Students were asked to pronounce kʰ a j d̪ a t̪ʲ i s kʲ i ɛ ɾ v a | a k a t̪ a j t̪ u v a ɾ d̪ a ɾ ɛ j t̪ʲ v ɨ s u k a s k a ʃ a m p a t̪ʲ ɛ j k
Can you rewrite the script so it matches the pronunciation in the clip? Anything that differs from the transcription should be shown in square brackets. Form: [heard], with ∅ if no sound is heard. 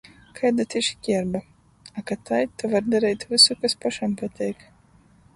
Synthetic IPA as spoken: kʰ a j d̪ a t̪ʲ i [ʃ] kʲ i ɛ ɾ [b] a | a k a t̪ a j t̪ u v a ɾ d̪ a ɾ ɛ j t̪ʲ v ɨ s u k a s [p] a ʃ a m p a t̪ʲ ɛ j k